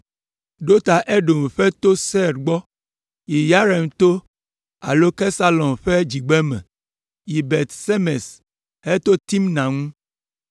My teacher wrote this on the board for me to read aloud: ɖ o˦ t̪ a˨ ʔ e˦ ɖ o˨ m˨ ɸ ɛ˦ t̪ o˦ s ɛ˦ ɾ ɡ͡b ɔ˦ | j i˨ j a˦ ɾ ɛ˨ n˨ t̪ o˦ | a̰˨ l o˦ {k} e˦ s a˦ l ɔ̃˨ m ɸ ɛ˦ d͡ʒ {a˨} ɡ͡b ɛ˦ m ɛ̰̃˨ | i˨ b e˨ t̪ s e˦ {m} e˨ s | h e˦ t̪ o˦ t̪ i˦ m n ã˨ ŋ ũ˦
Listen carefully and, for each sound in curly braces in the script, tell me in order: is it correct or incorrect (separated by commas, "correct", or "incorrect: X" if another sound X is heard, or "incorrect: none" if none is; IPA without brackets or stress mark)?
correct, incorrect: i˨, correct